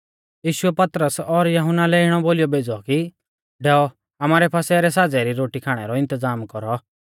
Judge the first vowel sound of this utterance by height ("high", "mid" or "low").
high